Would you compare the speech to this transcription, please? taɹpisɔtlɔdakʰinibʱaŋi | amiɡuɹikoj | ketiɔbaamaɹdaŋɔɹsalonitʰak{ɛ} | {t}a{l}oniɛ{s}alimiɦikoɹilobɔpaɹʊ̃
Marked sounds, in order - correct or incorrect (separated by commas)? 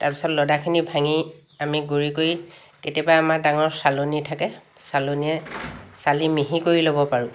correct, incorrect, correct, correct